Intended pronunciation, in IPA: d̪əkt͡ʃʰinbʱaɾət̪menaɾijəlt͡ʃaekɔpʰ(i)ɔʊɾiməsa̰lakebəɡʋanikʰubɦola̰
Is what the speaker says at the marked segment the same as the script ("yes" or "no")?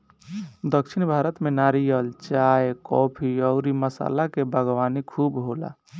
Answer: yes